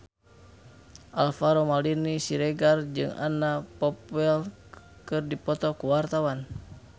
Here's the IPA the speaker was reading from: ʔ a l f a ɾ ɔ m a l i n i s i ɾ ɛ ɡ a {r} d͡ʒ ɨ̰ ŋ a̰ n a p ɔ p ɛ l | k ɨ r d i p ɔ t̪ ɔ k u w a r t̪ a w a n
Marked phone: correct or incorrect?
correct